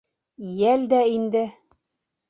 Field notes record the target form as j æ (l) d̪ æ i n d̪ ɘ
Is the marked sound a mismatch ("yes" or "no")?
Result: no